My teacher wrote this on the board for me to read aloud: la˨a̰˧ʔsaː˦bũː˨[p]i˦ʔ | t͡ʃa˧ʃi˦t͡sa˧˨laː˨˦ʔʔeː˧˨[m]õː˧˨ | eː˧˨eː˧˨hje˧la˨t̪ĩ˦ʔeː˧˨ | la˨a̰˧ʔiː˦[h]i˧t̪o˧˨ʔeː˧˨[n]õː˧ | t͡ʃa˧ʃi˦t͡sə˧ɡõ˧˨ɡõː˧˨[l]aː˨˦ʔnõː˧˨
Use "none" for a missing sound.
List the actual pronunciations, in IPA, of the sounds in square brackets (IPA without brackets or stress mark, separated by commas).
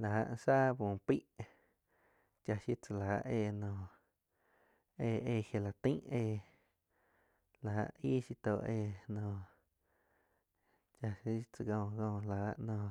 p, n, ʃ, n, l